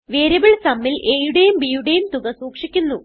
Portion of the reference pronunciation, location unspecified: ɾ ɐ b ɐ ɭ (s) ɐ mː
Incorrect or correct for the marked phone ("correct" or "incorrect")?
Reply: correct